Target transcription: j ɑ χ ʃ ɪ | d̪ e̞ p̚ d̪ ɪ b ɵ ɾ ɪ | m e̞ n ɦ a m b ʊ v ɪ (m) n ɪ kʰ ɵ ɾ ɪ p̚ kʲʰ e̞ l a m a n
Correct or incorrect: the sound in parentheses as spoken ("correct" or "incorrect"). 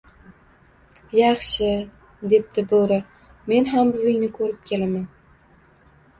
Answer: incorrect